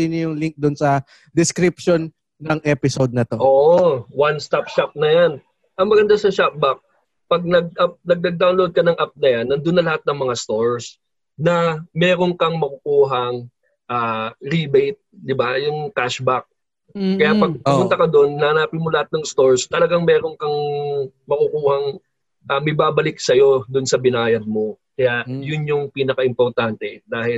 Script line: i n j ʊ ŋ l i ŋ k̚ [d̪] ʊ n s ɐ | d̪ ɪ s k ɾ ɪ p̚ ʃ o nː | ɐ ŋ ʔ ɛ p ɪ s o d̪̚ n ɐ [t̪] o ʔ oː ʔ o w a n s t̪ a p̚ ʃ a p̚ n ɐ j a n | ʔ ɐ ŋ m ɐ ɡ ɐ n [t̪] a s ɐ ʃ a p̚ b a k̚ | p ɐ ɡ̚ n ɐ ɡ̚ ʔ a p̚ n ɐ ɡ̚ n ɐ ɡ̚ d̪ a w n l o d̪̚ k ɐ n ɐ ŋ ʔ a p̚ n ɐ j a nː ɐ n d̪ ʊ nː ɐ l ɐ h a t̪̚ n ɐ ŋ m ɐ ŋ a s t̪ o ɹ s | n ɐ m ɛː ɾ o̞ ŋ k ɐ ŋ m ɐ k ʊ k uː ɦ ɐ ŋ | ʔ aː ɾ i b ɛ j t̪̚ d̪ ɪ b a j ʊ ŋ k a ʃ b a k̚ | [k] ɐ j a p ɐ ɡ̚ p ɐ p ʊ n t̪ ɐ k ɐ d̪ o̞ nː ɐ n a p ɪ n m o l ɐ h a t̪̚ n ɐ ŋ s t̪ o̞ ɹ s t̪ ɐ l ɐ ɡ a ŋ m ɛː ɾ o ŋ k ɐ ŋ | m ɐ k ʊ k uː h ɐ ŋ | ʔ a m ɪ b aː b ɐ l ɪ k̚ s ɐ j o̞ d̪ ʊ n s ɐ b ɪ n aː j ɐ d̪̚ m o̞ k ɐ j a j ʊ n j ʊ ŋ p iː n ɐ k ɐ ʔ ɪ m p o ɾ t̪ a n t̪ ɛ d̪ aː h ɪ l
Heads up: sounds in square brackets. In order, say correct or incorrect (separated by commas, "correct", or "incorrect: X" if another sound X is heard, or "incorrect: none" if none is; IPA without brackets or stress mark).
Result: correct, correct, incorrect: d̪, correct